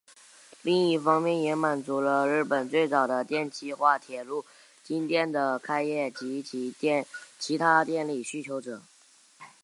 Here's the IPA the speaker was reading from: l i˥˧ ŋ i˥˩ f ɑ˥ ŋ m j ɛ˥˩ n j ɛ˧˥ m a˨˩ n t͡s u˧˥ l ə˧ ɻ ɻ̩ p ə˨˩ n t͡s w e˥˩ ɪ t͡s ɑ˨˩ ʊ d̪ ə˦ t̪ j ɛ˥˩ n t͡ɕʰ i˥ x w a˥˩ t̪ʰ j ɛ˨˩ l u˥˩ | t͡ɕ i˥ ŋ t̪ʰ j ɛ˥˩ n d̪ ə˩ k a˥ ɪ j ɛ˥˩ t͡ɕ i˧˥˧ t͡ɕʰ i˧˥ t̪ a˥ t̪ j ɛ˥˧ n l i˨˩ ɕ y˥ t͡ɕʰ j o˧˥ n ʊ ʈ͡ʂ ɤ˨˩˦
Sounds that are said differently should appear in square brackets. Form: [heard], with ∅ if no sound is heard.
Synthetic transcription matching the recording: l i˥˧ ŋ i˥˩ f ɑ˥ ŋ m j ɛ˥˩ n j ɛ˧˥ m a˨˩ n t͡s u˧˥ l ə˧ ɻ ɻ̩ p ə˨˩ n t͡s w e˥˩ ɪ t͡s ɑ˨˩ ʊ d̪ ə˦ t̪ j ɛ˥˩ n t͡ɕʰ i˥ x w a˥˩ t̪ʰ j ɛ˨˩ l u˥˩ | t͡ɕ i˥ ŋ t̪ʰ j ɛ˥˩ n d̪ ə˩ [kʰ] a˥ ɪ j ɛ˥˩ t͡ɕ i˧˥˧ t͡ɕʰ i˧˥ [t̪ʰ] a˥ t̪ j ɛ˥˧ n l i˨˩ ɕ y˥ t͡ɕʰ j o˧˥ [∅] ʊ ʈ͡ʂ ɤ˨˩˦